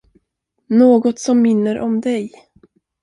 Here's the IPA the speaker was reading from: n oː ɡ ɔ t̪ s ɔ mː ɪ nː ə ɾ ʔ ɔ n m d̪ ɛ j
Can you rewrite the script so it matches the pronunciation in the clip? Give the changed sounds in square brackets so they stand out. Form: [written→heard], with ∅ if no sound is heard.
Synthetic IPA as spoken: n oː ɡ ɔ t̪ s ɔ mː ɪ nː ə ɾ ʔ ɔ [n→∅] m d̪ ɛ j

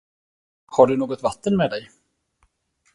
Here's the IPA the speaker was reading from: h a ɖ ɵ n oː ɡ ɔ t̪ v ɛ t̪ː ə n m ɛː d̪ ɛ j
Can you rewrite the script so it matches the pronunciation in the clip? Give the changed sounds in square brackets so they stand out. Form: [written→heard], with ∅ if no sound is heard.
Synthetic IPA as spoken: h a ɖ ɵ n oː ɡ ɔ t̪ v [ɛ→a] t̪ː ə n m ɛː d̪ ɛ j

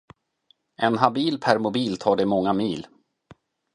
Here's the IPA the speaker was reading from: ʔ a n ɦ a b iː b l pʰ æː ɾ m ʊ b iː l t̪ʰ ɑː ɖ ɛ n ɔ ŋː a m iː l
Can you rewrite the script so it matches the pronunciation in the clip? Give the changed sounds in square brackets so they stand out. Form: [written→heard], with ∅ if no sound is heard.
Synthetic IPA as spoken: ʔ [a→ɛ] n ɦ a b iː [b→∅] l pʰ [æː→æ] ɾ m ʊ b iː l t̪ʰ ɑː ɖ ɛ [n→m] ɔ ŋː a m iː l

